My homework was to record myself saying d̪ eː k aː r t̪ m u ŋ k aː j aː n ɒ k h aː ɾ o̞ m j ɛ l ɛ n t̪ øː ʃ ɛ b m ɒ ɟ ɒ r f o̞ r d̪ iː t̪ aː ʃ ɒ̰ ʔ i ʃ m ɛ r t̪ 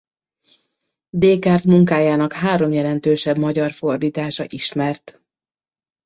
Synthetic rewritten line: d̪ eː k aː r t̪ m u ŋ k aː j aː n ɒ k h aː ɾ o̞ m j ɛ l ɛ n t̪ øː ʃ ɛ b m ɒ ɟ ɒ r f o̞ r d̪ iː t̪ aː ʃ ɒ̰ ʔ i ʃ m ɛ r t̪